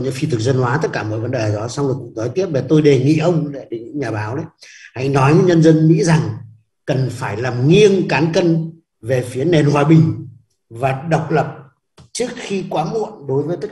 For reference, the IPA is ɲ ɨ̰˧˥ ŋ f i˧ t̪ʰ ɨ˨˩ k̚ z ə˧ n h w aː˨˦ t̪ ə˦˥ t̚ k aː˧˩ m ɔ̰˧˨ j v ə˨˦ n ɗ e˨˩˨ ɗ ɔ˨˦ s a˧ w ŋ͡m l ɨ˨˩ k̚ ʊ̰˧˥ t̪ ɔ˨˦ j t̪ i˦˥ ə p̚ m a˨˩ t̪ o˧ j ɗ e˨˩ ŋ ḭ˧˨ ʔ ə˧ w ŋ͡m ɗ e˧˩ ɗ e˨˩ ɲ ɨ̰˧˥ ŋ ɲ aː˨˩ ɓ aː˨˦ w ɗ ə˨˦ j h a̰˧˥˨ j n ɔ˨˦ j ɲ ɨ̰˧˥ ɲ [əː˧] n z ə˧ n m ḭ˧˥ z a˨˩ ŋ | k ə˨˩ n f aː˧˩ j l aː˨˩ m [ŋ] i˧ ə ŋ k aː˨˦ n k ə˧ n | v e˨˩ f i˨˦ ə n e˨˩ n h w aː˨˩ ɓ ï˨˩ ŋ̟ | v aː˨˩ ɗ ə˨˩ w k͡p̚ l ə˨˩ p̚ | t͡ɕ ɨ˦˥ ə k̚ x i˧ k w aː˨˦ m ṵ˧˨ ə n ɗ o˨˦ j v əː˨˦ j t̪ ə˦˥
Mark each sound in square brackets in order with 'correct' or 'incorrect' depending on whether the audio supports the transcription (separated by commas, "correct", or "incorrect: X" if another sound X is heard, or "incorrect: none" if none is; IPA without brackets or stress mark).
incorrect: ə˧, correct